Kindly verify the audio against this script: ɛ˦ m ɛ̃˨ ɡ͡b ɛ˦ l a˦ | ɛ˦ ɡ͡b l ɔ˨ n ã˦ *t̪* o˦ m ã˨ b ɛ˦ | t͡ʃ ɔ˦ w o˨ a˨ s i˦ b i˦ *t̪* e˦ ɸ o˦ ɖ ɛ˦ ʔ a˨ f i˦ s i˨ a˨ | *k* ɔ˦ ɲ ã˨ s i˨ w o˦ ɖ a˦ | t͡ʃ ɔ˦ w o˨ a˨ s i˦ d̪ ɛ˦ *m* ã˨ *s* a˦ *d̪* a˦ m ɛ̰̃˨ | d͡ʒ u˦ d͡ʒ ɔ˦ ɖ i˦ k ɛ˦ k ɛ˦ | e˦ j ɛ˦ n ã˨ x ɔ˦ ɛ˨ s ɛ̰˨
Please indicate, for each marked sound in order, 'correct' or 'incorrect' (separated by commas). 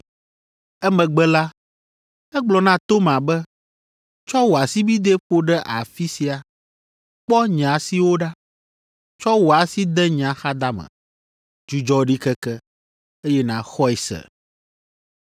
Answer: correct, incorrect, incorrect, incorrect, incorrect, correct